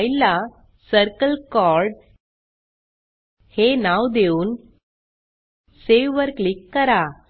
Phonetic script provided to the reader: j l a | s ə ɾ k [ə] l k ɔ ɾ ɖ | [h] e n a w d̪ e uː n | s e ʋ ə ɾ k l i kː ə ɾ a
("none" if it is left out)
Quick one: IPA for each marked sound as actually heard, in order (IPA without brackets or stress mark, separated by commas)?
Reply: ə, h